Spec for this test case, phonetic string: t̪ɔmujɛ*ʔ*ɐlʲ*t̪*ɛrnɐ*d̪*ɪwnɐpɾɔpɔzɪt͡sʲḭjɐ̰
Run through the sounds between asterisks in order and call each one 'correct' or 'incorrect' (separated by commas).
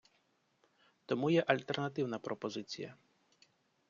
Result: correct, correct, incorrect